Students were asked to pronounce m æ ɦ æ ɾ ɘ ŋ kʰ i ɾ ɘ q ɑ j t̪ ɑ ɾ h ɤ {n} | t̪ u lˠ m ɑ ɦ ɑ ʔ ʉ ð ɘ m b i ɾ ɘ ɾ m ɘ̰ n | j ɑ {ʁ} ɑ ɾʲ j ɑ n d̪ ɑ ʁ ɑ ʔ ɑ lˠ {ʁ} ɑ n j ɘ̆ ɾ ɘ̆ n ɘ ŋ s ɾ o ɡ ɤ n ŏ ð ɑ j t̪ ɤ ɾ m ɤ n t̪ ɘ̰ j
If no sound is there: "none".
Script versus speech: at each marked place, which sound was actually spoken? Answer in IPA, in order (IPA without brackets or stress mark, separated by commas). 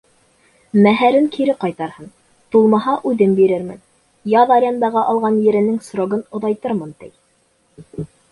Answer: n, ð, ʁ